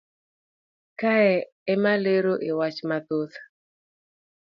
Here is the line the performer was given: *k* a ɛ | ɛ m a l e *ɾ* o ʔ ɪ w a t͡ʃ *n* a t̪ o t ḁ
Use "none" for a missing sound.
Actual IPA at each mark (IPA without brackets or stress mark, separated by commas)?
k, ɾ, m